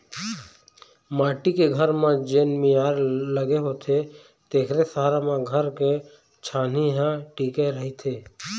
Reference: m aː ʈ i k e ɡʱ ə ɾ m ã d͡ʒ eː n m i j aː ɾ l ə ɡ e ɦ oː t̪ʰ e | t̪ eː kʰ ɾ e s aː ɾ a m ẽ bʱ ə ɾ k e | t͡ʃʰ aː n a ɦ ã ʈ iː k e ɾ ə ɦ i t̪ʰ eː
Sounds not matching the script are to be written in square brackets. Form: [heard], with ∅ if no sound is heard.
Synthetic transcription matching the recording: m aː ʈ i k e ɡʱ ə ɾ m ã d͡ʒ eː n m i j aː ɾ l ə ɡ e ɦ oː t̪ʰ e | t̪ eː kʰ ɾ e s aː ɾ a m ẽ [ɡʱ] ə ɾ k e | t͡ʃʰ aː n [i] ɦ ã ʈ iː k e ɾ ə ɦ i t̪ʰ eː